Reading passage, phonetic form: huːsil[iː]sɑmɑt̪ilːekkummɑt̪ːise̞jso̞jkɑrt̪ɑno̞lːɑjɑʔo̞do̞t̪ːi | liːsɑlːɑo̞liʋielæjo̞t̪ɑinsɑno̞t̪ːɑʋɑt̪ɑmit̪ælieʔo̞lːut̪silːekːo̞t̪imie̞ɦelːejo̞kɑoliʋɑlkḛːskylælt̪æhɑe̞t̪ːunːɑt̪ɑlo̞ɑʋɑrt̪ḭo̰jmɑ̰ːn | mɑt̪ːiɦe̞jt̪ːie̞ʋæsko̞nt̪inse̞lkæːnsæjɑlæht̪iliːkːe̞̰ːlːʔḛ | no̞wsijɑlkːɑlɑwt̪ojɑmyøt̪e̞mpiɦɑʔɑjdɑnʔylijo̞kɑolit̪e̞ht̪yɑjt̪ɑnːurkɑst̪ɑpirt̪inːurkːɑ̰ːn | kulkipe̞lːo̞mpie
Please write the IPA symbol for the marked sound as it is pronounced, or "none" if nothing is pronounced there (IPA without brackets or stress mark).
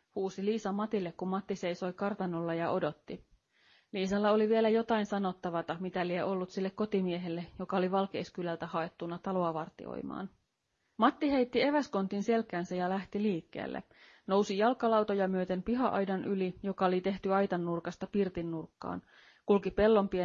iː